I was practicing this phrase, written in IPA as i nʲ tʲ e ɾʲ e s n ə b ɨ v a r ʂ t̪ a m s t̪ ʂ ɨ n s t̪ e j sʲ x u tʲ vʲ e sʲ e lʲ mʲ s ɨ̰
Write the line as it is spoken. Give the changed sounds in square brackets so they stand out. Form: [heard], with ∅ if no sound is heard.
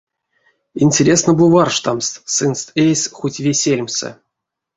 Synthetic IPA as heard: i nʲ tʲ e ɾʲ e s n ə b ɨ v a r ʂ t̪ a m s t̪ [s] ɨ n s t̪ e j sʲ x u tʲ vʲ e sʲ e lʲ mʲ s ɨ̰